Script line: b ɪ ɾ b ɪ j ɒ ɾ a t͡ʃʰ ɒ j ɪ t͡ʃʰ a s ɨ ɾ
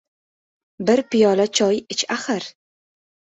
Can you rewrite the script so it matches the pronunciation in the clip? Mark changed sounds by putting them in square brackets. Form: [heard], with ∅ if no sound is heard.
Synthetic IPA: b ɪ ɾ [p] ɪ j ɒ [l] a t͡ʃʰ ɒ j ɪ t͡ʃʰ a [χ] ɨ ɾ